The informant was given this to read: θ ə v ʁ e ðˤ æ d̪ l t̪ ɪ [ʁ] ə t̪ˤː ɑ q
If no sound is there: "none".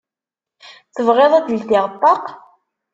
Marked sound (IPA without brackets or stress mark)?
ʁ